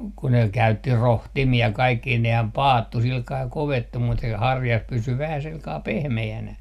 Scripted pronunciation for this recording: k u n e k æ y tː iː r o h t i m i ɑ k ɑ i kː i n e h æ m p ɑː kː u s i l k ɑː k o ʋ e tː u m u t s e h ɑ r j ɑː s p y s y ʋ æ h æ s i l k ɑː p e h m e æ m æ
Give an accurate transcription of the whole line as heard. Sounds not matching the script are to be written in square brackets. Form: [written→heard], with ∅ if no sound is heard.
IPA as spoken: k u n e k æ y tː [iː→i] r o h t i m i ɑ k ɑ i kː i n e h æ m p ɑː [kː→tː] u s i l k ɑː k o ʋ e tː u m u t s e h ɑ r j [ɑː→ɑ] s p y s y ʋ æ h æ s i l k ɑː p e h m e æ [m→n] æ

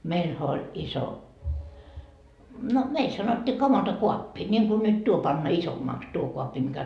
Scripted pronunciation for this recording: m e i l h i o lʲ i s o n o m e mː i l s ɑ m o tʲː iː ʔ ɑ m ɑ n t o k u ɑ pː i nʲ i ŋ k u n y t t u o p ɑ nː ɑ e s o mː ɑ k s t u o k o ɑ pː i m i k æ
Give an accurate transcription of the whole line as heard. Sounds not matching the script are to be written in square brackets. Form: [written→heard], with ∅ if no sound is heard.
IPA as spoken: m e i l h [i→æ] o lʲ i s o n o m e [mː→∅] i l s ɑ [m→n] o tʲː iː [ʔ→k] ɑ m ɑ n t o k u ɑ pː i nʲ i ŋ k u n y t t u o p ɑ nː ɑ [e→i] s o mː ɑ k s t u o k o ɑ pː i m i k æ

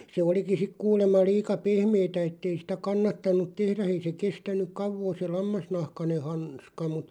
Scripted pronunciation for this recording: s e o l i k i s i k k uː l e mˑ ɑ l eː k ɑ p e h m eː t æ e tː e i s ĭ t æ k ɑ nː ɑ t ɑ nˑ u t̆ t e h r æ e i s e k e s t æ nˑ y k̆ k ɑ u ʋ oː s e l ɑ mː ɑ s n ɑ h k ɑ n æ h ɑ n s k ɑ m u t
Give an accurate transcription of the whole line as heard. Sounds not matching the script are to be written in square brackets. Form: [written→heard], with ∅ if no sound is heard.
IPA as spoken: s e o l i k i s i k k uː l e mˑ ɑ l [eː→iː] k ɑ p e h m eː t æ e tː e i s ĭ t æ k ɑ nː ɑ t ɑ nˑ u t̆ t e h r æ e i s e k e s t æ nˑ y k̆ k ɑ u ʋ oː s e l ɑ mː ɑ s n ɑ h k ɑ n [æ→e] h ɑ n s k ɑ m u t

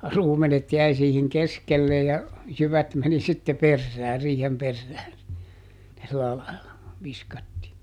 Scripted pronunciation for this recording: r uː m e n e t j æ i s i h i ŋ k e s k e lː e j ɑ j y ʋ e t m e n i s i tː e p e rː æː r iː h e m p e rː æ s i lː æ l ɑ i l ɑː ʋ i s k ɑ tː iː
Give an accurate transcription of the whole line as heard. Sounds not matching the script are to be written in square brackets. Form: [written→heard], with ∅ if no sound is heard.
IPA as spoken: r uː m e n e t j æ i s [i→iː] h i ŋ k e s k e lː e j ɑ j y ʋ [e→æ] t m e n i s i tː e p e rː æː r iː h e m p e rː [æ→æː] s i lː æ l ɑ i l [ɑː→ɑ] ʋ i s k ɑ tː iː

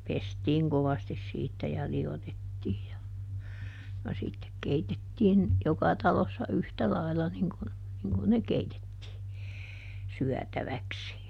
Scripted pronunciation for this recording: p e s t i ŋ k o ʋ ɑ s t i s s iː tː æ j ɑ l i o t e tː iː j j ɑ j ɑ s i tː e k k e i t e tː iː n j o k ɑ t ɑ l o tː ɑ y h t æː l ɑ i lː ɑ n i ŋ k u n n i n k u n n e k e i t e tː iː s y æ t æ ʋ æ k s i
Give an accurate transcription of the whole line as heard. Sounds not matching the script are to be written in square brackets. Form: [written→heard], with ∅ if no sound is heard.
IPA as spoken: p e s t [i→iː] ŋ k o ʋ ɑ s t i s s iː tː æ j ɑ l i o t e tː iː j j ɑ j ɑ s i tː e k k e i t e tː iː n j o k ɑ t ɑ l o [tː→sː] ɑ y h t [æː→æ] l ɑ i lː ɑ n i ŋ k u n n i [n→ŋ] k u n n e k e i t e tː iː s y æ t æ ʋ æ k s i

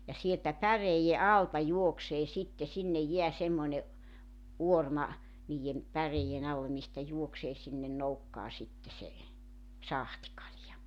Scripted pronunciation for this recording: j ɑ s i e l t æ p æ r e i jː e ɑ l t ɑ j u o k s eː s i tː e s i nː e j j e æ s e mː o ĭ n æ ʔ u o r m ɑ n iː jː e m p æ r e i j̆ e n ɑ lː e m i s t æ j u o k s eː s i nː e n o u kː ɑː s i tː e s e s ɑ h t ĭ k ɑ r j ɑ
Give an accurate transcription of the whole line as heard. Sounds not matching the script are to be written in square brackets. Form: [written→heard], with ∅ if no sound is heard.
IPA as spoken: j ɑ s i e l t æ p æ r e i jː e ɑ l t ɑ j u o k s eː s i tː e s i nː e j j e æ s e mː o ĭ n [æ→e] ʔ u o r m ɑ n iː jː e m p æ r e i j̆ e n ɑ lː e m i s t æ j u o k s eː s i nː e n o u kː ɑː s i tː e s e s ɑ h t ĭ k ɑ [r→l] j ɑ

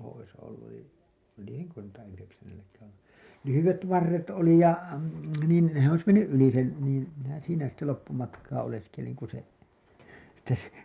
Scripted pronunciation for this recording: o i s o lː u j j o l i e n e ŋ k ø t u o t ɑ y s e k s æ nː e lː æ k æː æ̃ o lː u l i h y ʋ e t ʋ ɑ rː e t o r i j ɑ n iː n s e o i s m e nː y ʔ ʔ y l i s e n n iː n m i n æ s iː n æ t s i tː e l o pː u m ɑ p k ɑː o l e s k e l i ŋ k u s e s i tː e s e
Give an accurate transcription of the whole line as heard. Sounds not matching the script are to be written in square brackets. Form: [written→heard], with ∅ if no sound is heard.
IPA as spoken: o i s o lː u j j o l i e n e ŋ k ø t u o t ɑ y [s→h] e k s æ nː e lː æ k æː æ̃ o lː u l [i→y] h y ʋ e t ʋ ɑ rː e t o [r→l] i j ɑ n iː n s e o i s m e nː y ʔ ʔ y l i s e n n iː n m i n æ s iː n æ [t→∅] s i tː e l o pː u m ɑ [p→t] k ɑː o l e s k e l i ŋ k u s e s i tː e s e

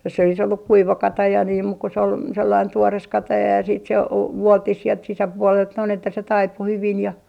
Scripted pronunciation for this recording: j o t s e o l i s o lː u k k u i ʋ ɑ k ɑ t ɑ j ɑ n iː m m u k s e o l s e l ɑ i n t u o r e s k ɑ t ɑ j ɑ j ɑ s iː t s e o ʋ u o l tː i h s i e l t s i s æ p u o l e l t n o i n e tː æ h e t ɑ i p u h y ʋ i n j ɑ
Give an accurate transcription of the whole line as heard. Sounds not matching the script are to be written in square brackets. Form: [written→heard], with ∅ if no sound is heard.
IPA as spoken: j o [t→s] s e o l i s o lː u k k u i ʋ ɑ k ɑ t ɑ j ɑ n iː m m u k s e o l s e [l→lː] ɑ i n t u o r e s k ɑ t ɑ j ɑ j ɑ s iː t s e o ʋ u o l tː i h s i e l t s i s æ p u o l e l t n o i n e tː æ [h→s] e t ɑ i p u h y ʋ i n j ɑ

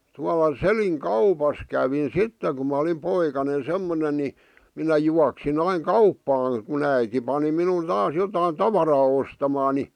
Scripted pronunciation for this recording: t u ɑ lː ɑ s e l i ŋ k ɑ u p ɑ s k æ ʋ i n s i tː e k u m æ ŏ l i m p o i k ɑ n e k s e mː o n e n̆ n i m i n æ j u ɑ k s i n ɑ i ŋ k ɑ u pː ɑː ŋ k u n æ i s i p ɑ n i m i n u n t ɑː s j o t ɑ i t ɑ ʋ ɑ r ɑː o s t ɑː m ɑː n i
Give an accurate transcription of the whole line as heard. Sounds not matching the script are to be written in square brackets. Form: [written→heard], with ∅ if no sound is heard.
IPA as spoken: t u ɑ [lː→l] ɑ s e l i ŋ k ɑ u p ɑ s k æ ʋ i n s i tː e k u m æ ŏ l i m p o i k ɑ n e [k→∅] s e mː o n e n̆ n i m i n æ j u ɑ k s i n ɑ i ŋ k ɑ u pː ɑː ŋ k u n æ i [s→t] i p ɑ n i m i n u n t ɑː s j o t ɑ i t ɑ ʋ ɑ r ɑː o s t [ɑː→ɑ] m ɑː n i

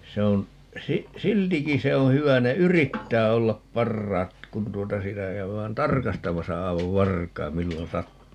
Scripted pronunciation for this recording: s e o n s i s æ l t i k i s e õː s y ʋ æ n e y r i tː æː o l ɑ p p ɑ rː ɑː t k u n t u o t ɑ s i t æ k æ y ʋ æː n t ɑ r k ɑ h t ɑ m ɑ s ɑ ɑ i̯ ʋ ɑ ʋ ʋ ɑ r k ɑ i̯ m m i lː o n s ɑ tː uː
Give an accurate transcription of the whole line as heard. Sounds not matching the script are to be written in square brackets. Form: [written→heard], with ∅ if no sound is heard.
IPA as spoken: s e o n s i s [æ→i] l t i k i s e õː [s→h] y ʋ æ n e y r i tː æː o [l→lː] ɑ p p ɑ rː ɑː t k u n t u o t ɑ s i t æ k æ y ʋ æː n t ɑ r k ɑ [h→s] t ɑ m ɑ s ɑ ɑ i̯ ʋ ɑ ʋ ʋ ɑ r k ɑ i̯ m m i lː o n s ɑ tː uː

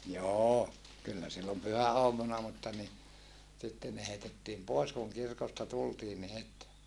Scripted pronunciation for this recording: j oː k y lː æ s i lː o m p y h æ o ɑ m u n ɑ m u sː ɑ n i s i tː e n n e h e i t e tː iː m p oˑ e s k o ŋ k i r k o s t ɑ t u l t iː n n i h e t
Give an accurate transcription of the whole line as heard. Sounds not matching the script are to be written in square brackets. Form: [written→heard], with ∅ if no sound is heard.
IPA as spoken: j oː k y lː æ s i lː o m p y h æ o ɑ m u n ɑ m u [sː→tː] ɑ n i s i tː e n n e h e i t e tː iː m p oˑ e s k [o→u] ŋ k i r k o s t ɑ t u l t iː n n i h e t

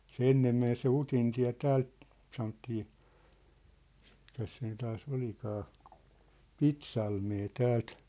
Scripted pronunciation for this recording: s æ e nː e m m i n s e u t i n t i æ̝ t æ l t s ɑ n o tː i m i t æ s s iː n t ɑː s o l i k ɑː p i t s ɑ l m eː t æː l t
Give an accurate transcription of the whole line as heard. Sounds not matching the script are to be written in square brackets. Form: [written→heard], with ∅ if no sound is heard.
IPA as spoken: s [æ→e] e nː e m m [i→e] n s e u t i n t i æ̝ t [æ→æː] l t s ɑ n o tː [i→iː] m i [t→k] æ s s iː n t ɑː s o l i k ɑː p i t s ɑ l m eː t æː l t

